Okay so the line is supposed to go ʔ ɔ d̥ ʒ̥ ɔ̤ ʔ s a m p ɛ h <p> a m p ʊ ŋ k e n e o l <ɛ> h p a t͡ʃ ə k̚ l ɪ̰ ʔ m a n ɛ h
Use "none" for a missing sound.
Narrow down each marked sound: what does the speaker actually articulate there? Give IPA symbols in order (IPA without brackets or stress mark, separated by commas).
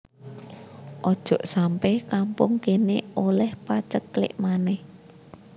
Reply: k, ɛ